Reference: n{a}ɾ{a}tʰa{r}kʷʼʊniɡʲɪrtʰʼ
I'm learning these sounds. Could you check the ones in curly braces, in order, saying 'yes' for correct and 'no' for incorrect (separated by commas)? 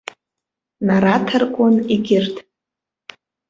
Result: yes, yes, yes